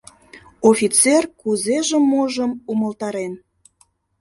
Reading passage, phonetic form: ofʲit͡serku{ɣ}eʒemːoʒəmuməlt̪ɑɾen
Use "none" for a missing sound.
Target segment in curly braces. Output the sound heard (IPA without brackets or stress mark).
z